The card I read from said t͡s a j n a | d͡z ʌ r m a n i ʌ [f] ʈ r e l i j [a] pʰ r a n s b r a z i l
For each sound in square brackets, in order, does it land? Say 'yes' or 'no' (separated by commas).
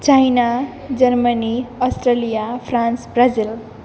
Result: no, yes